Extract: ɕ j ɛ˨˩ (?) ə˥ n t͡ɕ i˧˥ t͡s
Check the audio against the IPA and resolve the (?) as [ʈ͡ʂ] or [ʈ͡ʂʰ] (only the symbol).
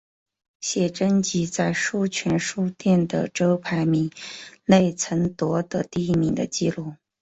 ʈ͡ʂ